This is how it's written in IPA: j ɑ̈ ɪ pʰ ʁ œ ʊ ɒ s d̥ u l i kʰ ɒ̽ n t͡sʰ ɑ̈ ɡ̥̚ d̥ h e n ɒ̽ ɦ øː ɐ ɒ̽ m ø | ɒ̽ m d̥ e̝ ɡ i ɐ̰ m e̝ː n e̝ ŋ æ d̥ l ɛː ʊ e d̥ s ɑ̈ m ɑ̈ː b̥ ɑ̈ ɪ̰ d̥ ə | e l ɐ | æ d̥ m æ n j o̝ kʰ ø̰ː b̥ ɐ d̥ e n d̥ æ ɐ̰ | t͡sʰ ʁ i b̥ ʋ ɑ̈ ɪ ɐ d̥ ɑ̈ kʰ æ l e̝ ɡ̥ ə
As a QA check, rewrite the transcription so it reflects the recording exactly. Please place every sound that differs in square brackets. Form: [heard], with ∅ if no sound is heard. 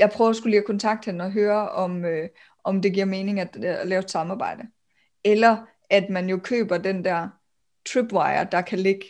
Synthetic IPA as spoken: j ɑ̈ ɪ pʰ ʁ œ ʊ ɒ s [ɡ̥] u l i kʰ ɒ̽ n t͡sʰ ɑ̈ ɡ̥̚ d̥ h e n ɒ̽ ɦ øː ɐ ɒ̽ m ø | ɒ̽ m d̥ e̝ ɡ i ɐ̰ m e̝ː n e̝ ŋ æ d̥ l ɛː ʊ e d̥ s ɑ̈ m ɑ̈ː b̥ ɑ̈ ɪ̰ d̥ ə | e l ɐ | æ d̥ m æ n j o̝ kʰ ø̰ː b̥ ɐ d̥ e n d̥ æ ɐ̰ | t͡sʰ ʁ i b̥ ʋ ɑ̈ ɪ ɐ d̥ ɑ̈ kʰ æ l e̝ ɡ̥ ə